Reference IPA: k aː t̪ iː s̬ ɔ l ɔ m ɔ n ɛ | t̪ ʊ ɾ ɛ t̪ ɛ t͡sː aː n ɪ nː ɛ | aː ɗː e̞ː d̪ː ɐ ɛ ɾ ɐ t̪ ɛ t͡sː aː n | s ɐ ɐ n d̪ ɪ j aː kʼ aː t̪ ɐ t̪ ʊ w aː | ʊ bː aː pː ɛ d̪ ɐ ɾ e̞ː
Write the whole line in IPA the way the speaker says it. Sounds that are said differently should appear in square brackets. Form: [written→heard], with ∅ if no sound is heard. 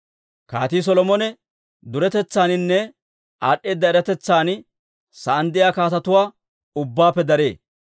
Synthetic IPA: k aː t̪ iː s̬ ɔ l ɔ m ɔ n ɛ | [t̪→d̪] ʊ ɾ ɛ t̪ ɛ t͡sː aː n ɪ nː ɛ | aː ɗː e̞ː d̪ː ɐ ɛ ɾ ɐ t̪ ɛ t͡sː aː n | s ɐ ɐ n d̪ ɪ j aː [kʼ→k] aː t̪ ɐ t̪ ʊ w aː | ʊ bː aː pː ɛ d̪ ɐ ɾ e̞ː